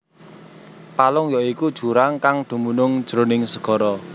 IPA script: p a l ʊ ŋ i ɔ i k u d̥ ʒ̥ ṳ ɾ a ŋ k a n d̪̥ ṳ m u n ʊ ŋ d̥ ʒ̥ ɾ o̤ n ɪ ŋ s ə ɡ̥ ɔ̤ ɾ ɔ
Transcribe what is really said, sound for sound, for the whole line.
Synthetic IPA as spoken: p a l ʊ ŋ j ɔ i k u d̥ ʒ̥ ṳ ɾ a ŋ k a ŋ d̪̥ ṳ m u n ʊ ŋ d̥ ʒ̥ ɾ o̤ n ɪ ŋ s ə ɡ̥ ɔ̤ ɾ ɔ